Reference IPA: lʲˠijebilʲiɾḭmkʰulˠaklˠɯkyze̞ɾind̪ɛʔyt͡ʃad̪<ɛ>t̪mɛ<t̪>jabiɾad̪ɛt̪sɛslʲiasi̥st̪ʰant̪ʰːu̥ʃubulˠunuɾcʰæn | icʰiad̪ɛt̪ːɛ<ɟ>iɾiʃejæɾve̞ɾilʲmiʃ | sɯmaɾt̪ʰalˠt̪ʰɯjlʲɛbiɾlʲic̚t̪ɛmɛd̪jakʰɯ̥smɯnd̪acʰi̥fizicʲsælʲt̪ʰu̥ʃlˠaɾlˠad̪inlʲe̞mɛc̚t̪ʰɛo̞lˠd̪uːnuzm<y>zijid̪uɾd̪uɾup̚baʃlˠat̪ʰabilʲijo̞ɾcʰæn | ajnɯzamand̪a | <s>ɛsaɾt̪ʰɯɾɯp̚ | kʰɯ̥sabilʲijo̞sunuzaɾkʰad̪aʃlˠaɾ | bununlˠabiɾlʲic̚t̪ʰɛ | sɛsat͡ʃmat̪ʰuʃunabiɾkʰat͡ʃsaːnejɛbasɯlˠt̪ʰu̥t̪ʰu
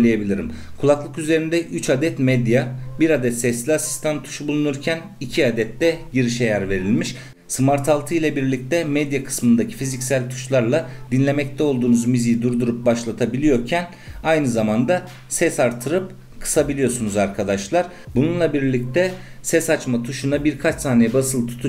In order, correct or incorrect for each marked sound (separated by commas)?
correct, incorrect, correct, incorrect, correct